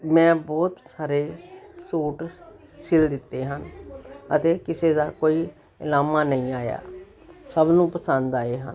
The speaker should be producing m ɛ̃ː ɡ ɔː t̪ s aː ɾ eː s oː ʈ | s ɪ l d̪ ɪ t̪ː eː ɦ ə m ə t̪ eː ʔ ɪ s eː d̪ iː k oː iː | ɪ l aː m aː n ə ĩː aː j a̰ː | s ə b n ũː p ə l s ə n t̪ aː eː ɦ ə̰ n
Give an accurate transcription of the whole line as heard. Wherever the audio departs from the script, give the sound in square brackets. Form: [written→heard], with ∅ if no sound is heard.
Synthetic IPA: m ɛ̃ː [ɡ→b] ɔː t̪ s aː ɾ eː s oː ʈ | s ɪ l d̪ ɪ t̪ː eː ɦ ə [m→n] ə t̪ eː [ʔ→k] ɪ s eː d̪ [iː→aː] k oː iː | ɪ l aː m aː n ə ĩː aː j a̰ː | s ə b n ũː p ə [l→∅] s ə n [t̪→d̪] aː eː ɦ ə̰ n